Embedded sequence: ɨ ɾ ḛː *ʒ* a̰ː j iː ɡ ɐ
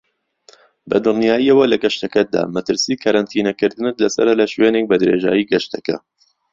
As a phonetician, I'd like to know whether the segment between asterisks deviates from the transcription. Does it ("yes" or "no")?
no